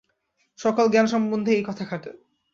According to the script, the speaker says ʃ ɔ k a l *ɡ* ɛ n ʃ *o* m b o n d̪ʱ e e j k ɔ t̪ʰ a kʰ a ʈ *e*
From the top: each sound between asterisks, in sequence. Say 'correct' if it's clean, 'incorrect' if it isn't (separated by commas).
correct, incorrect, correct